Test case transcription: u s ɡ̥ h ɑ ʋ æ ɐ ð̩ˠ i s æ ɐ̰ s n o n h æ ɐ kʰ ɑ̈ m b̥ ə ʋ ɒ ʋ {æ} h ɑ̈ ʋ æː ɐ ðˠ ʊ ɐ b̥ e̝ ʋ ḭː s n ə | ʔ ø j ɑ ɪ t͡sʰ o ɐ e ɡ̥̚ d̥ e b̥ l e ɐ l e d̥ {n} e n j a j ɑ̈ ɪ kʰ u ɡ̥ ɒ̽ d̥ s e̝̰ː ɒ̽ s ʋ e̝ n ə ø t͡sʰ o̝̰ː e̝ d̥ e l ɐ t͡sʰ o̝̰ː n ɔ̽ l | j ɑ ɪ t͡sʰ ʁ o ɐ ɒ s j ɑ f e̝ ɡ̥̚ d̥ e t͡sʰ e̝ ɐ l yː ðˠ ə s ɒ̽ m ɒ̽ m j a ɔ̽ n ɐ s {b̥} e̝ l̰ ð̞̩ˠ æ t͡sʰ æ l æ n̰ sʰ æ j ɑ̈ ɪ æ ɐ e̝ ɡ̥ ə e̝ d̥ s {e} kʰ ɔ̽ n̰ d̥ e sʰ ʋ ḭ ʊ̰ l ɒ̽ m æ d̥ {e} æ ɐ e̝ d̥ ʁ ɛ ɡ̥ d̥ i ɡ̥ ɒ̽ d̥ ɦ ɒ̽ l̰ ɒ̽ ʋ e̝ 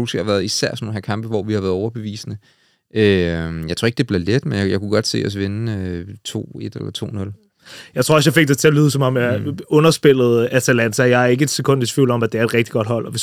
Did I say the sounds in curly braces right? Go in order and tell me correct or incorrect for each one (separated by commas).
incorrect, incorrect, correct, correct, correct